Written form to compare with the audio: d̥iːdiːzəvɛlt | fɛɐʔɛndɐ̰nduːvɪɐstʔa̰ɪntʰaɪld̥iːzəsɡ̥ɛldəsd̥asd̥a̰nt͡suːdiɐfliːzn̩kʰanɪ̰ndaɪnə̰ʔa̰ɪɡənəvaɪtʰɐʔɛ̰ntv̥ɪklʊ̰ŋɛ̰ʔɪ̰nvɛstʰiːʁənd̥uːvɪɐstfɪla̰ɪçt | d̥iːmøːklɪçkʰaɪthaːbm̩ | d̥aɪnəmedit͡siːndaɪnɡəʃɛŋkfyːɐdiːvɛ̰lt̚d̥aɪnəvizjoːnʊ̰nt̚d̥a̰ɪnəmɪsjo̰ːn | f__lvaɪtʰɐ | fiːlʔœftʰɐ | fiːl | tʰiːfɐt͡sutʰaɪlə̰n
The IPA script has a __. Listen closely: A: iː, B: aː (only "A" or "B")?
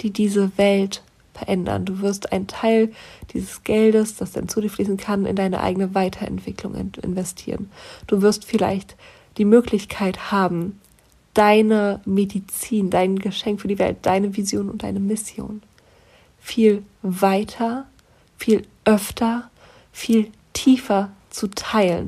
A